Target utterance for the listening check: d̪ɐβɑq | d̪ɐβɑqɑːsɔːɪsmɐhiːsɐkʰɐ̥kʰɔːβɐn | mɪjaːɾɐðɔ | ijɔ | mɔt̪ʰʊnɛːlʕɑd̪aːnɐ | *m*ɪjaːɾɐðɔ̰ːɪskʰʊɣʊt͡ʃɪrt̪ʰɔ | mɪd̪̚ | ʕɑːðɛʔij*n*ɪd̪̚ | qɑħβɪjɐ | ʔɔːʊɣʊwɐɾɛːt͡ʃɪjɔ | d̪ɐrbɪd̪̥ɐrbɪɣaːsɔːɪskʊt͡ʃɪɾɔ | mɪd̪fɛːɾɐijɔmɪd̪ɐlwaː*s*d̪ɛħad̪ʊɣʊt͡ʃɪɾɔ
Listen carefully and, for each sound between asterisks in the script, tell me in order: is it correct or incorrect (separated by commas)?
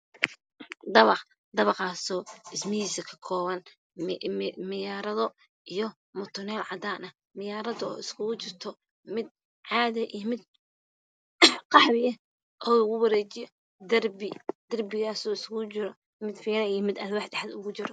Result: correct, incorrect, incorrect